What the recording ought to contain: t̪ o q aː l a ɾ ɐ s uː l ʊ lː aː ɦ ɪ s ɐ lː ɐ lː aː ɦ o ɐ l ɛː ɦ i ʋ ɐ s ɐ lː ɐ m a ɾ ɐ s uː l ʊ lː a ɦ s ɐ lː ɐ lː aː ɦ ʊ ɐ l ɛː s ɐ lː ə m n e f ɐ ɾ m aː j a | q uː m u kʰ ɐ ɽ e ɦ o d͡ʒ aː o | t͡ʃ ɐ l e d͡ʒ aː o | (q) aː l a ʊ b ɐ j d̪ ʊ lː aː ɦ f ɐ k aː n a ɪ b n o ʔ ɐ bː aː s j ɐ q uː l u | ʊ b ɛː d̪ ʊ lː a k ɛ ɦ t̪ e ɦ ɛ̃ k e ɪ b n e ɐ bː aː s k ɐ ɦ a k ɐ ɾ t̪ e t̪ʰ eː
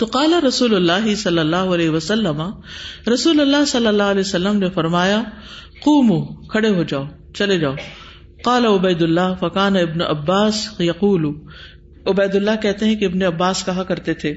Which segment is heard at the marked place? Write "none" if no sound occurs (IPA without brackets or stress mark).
q